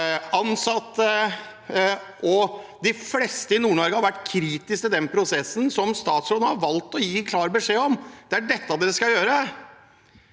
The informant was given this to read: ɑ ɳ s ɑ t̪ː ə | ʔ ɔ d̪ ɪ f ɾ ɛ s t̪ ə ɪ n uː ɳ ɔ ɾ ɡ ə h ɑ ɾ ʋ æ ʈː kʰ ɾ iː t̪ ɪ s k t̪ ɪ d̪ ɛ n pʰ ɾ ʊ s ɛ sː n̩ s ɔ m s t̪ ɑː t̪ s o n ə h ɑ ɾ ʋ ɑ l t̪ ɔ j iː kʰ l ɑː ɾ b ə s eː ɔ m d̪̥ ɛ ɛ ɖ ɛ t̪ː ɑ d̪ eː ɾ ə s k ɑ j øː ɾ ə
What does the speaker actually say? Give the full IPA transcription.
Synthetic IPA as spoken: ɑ n s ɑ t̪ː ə | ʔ ɔ d̪ ɪ f l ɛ s t̪ ə ɪ n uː ɳ ɔ ɾ ɡ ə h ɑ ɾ ʋ æ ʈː kʰ ɾ iː t̪ ɪ s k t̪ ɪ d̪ ɛ n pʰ ɾ ʊ s ɛ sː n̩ s ɔ m s t̪ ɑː t̪ s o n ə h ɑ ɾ ʋ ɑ l t̪ ɔ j iː kʰ l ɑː ɾ b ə ʂ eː ɔ m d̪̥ ɛ æ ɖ ɛ t̪ː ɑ d̪ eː ɾ ə s k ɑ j øː ɾ ə